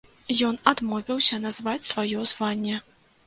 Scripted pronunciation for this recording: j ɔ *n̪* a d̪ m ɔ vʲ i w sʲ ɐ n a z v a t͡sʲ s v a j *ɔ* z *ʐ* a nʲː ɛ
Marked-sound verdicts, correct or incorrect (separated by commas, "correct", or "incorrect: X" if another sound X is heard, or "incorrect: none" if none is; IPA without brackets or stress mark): correct, correct, incorrect: v